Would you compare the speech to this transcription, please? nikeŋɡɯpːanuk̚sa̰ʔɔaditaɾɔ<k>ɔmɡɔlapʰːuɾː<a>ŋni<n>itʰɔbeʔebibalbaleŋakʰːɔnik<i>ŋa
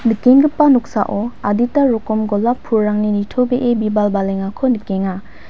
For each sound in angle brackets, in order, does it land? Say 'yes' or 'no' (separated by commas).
yes, yes, yes, no